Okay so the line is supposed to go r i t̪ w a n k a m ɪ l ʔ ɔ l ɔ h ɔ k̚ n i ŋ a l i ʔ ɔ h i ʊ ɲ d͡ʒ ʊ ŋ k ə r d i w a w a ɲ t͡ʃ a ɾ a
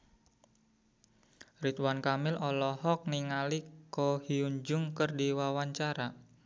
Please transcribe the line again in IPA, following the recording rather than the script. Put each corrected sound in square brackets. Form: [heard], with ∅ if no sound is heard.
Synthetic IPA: r i t̪ w a n k a m ɪ l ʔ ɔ l ɔ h ɔ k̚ n i ŋ a l i [k] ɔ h i [u] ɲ d͡ʒ ʊ ŋ k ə r d i w a w a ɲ t͡ʃ a ɾ a